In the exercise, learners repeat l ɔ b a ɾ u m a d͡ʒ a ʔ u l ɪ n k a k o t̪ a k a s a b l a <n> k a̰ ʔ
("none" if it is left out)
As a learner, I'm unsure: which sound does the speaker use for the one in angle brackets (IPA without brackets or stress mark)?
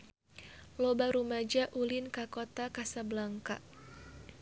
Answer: ŋ